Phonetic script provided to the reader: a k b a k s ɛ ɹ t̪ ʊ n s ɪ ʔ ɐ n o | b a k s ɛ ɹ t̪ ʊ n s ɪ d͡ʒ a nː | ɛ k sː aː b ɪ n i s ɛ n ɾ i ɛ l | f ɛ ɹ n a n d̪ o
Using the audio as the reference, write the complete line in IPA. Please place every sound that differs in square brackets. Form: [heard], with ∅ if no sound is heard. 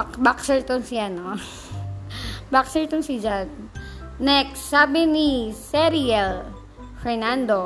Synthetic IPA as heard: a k b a k s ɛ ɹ t̪ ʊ n s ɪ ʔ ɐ n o | b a k s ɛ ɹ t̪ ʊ n s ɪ d͡ʒ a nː | ɛ k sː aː b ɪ n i s ɛ [∅] ɾ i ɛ l | f ɛ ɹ n a n d̪ o